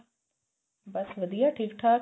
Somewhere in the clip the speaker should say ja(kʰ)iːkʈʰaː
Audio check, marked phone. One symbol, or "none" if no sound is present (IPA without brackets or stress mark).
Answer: ʈʰ